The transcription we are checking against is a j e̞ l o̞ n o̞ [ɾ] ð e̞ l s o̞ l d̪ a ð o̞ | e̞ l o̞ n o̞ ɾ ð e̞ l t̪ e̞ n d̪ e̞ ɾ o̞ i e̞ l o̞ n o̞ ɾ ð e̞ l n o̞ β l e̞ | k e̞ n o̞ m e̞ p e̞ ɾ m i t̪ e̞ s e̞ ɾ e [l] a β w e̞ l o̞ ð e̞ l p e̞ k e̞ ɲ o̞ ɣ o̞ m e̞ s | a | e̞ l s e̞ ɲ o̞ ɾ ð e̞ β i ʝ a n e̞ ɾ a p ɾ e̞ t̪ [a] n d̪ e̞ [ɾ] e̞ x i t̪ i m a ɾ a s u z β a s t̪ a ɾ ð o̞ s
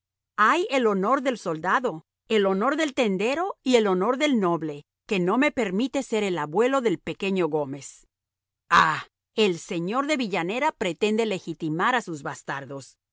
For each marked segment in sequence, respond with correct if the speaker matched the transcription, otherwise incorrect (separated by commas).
correct, correct, incorrect, incorrect